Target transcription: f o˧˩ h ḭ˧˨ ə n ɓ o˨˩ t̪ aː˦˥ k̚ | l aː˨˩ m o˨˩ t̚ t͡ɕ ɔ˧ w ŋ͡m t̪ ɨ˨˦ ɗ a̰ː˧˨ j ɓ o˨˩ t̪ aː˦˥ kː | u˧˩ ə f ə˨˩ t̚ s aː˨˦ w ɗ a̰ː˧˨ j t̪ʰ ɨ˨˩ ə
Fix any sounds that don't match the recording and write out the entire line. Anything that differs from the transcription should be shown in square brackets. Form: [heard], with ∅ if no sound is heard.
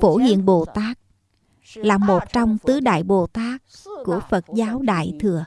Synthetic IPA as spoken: f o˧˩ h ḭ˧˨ ə n ɓ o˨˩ t̪ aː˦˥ k̚ | l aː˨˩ m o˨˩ t̚ t͡ɕ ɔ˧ w ŋ͡m t̪ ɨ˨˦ ɗ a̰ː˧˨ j ɓ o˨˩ t̪ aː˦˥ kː | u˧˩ ə f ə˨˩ t̚ [z] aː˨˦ w ɗ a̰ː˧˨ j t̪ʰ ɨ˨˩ ə